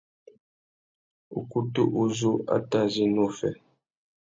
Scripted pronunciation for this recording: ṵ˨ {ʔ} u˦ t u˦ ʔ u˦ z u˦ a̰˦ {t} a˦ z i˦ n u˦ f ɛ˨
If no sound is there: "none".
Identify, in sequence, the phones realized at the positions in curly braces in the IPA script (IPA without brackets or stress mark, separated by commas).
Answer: k, t